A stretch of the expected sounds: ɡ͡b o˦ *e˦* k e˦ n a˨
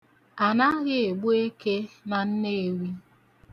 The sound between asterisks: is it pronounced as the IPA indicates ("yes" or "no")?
yes